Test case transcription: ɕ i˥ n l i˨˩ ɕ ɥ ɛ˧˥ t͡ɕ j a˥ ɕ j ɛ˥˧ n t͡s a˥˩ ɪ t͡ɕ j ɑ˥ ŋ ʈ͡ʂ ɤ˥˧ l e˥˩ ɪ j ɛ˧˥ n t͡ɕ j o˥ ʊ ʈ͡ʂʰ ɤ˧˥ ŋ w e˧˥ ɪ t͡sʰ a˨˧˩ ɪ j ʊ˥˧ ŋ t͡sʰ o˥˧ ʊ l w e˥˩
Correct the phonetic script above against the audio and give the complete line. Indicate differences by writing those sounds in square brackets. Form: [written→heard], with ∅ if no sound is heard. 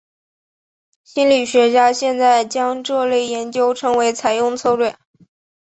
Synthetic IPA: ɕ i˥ n l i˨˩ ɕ ɥ ɛ˧˥ t͡ɕ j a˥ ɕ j ɛ˥˧ n t͡s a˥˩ ɪ t͡ɕ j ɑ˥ ŋ ʈ͡ʂ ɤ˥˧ l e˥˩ ɪ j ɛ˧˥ n t͡ɕ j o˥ ʊ ʈ͡ʂʰ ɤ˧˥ ŋ w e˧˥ ɪ t͡sʰ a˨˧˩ ɪ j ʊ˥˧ ŋ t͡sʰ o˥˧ ʊ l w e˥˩